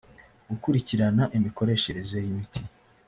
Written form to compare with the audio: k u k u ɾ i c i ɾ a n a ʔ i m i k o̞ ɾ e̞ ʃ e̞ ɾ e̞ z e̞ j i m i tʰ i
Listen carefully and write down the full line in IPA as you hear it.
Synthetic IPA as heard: ɡ u k u ɾ i c i ɾ a n a ʔ i m i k o̞ ɾ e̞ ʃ e̞ ɾ e̞ z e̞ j i m i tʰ i